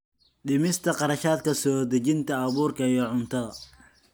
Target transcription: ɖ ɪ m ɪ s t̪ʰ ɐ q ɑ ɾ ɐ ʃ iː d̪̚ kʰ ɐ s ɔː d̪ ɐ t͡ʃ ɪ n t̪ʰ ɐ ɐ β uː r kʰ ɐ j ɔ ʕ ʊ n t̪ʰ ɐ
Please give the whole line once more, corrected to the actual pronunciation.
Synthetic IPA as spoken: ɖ ɪ m ɪ s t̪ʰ ɐ q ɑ ɾ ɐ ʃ aː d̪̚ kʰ ɐ s ɔː d̪ ɐ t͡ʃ ɪ n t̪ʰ ɐ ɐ β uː r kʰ ɐ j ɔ ʕ ʊ n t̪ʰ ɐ